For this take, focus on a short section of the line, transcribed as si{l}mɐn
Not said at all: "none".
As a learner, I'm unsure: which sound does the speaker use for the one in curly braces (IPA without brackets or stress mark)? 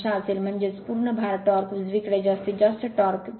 l